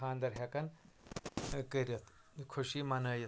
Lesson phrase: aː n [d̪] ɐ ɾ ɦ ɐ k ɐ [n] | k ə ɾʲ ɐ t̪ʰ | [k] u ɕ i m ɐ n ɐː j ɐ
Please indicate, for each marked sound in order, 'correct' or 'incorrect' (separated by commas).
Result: correct, correct, incorrect